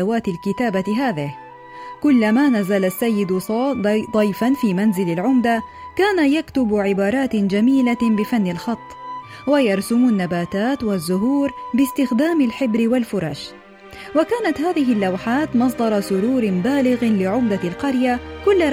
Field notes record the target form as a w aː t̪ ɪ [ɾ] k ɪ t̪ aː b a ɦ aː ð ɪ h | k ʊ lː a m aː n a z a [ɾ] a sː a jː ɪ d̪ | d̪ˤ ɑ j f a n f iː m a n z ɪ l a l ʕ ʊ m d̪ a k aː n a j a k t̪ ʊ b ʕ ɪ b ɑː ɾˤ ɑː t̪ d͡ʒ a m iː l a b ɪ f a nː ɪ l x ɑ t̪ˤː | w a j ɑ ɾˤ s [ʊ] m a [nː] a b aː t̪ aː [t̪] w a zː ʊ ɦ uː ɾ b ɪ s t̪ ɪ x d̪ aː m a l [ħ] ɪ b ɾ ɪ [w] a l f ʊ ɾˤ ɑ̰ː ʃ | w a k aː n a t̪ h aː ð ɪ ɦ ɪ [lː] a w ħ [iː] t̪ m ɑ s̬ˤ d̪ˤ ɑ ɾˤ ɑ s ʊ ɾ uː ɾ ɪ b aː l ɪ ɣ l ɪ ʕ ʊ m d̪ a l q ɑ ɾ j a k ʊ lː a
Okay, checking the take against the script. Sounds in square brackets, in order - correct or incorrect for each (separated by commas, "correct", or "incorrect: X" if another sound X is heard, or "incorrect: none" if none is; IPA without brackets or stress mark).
incorrect: l, incorrect: l, correct, correct, correct, correct, correct, correct, incorrect: aː